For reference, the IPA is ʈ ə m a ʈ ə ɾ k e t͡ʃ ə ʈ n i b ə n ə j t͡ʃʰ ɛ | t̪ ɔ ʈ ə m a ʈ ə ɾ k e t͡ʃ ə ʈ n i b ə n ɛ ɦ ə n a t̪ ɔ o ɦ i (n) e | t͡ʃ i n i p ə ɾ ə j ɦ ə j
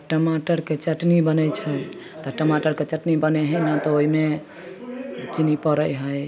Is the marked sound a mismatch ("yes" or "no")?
yes